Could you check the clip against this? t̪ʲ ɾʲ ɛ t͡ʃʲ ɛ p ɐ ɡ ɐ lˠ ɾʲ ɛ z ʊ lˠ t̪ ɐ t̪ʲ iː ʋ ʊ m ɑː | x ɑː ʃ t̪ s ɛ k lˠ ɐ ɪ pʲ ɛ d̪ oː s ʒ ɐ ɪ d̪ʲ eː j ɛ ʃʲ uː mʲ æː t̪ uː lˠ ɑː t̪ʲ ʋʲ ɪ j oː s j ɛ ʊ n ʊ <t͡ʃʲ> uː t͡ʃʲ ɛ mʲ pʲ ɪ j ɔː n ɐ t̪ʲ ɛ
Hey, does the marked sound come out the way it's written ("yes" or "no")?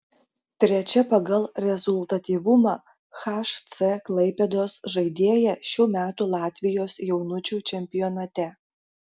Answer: yes